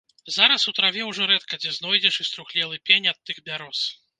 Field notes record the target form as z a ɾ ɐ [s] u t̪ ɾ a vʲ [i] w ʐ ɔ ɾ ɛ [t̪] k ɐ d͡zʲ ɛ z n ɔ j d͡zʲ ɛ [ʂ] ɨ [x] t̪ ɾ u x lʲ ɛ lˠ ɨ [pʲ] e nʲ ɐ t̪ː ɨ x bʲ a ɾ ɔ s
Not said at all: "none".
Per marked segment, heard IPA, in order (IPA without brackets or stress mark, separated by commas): s, ɛ, t̪, ʂ, s, pʲ